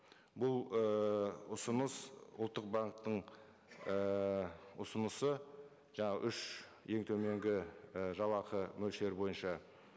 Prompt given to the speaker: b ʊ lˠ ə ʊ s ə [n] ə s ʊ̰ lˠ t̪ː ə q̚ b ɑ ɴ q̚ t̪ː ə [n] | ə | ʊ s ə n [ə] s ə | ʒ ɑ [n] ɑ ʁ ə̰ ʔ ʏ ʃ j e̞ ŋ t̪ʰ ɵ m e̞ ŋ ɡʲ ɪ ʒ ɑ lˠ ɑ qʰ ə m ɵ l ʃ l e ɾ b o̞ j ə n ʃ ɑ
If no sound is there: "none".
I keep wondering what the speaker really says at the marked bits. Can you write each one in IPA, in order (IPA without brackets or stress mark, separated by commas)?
n, ɴ, ə, ɴ